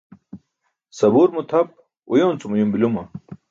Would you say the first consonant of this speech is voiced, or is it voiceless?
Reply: voiceless